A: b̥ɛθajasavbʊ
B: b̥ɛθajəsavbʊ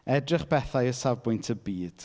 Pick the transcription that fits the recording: B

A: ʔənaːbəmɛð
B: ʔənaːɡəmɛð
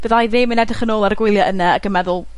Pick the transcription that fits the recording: B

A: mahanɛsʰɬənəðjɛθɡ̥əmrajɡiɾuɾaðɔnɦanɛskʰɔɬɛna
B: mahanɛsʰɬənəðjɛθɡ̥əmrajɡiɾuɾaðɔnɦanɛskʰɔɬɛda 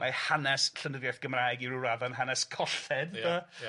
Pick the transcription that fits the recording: B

